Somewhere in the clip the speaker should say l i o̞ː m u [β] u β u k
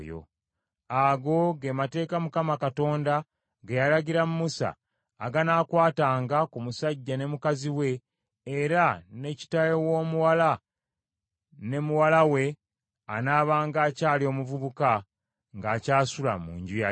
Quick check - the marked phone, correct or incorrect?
incorrect